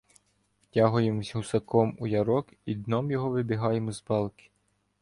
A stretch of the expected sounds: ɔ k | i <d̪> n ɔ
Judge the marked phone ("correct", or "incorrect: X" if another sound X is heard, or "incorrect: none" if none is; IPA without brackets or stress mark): correct